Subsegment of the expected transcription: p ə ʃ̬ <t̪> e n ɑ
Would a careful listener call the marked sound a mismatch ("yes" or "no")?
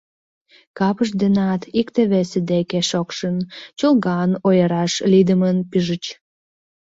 yes